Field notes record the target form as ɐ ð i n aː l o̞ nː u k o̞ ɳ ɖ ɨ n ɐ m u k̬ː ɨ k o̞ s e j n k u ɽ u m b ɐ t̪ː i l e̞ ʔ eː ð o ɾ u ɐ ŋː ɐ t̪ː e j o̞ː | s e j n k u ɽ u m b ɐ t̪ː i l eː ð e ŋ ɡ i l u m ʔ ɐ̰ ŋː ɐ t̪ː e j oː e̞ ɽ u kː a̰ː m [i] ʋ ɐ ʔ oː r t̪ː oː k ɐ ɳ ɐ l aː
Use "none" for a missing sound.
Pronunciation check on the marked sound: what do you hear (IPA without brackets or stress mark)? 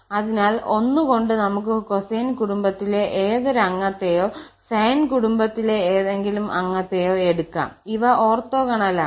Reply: i